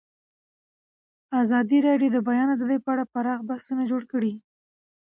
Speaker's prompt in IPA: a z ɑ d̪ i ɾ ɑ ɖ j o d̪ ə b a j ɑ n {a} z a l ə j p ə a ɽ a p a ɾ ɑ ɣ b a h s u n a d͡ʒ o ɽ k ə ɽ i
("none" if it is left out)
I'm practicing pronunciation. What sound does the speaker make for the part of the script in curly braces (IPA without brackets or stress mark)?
a